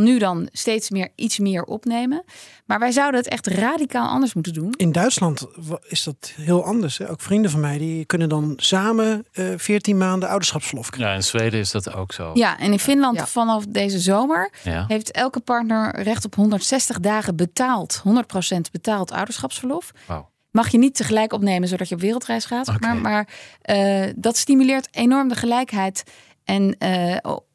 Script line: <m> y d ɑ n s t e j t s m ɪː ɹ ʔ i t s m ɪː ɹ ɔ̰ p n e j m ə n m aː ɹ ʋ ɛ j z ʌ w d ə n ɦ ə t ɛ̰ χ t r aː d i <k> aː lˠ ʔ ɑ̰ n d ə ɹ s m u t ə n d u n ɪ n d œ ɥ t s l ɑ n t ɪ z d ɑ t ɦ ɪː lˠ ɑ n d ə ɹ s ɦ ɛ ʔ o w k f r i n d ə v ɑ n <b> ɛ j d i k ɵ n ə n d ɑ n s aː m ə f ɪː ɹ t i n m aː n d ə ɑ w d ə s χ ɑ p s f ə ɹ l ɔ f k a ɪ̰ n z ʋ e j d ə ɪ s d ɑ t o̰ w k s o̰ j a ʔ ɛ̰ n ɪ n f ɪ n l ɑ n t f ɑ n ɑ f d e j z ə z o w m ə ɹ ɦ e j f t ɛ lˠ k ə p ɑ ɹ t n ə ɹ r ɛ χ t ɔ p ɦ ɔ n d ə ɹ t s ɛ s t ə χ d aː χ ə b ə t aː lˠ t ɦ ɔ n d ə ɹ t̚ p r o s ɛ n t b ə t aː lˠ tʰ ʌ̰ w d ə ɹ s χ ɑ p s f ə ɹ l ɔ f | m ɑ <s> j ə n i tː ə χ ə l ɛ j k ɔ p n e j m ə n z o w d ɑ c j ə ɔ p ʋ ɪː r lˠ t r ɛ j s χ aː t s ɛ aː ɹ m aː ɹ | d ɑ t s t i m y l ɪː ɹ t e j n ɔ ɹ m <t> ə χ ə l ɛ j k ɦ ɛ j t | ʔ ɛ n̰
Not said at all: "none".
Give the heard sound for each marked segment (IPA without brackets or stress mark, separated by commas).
n, k, m, χ, d